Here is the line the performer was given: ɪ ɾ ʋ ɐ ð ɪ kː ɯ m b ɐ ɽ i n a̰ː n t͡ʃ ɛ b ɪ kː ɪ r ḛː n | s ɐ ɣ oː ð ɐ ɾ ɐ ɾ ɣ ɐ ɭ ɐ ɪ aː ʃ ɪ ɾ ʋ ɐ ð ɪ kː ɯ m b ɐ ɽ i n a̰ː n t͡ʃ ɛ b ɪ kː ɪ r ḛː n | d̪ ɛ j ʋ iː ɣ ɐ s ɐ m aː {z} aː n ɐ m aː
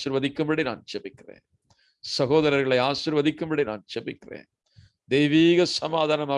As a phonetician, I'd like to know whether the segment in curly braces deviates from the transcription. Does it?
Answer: yes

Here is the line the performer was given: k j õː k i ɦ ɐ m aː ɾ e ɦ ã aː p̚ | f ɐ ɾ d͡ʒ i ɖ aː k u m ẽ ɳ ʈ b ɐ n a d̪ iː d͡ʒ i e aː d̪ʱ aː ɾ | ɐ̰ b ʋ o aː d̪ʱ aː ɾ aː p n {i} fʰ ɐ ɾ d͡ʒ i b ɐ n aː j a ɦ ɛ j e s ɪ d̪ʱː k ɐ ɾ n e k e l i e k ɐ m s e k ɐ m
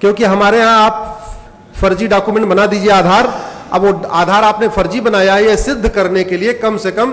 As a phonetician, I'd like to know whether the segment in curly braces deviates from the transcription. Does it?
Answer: yes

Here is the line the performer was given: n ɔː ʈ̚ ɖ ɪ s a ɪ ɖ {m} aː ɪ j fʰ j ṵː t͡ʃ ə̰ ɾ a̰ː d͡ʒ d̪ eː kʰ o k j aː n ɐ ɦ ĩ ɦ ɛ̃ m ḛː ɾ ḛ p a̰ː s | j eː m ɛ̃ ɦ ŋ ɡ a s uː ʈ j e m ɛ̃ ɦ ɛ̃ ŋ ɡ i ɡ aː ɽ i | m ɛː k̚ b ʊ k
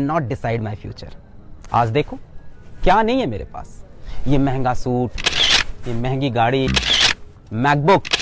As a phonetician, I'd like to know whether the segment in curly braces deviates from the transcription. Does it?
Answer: no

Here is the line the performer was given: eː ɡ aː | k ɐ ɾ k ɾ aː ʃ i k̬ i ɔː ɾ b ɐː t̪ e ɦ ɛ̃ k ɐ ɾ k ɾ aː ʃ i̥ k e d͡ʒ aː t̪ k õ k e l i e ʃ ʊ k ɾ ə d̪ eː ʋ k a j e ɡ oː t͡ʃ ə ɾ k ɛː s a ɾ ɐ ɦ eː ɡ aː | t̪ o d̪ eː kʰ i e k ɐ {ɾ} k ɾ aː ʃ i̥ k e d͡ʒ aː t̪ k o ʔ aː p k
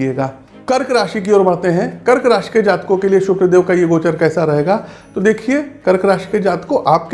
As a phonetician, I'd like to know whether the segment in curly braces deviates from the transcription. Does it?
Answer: no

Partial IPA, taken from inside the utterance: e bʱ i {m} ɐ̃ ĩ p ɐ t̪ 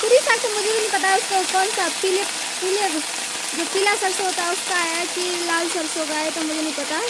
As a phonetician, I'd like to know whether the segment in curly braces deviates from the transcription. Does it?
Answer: yes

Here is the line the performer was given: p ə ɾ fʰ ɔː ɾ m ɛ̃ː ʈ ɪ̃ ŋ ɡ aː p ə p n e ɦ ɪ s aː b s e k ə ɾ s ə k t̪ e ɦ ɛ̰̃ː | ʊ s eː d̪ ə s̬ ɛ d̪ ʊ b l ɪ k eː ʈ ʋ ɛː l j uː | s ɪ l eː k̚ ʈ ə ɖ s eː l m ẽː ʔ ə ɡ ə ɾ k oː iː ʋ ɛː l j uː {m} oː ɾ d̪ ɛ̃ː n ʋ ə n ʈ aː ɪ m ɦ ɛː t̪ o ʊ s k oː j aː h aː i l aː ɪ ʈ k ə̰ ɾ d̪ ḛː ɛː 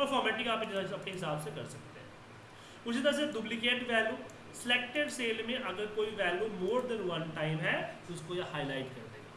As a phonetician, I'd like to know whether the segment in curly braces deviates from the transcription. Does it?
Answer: no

